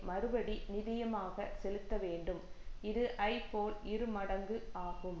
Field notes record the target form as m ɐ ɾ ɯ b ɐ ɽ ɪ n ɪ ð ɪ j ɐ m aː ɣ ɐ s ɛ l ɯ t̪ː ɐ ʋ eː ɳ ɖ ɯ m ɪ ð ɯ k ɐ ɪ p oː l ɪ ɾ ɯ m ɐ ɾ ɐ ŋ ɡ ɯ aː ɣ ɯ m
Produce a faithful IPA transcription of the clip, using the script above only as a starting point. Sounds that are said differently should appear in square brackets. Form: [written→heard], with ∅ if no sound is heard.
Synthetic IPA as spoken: m ɐ ɾ ɯ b ɐ ɽ [ɪ→i] n ɪ ð ɪ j ɐ m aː ɣ ɐ s ɛ l ɯ t̪ː ɐ ʋ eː ɳ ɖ ɯ m ɪ ð ɯ [k→ʔ] ɐ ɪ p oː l ɪ ɾ ɯ m ɐ [ɾ→ɽ] ɐ ŋ ɡ ɯ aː ɣ ɯ m